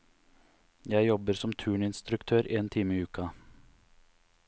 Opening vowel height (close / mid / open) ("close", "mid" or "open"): open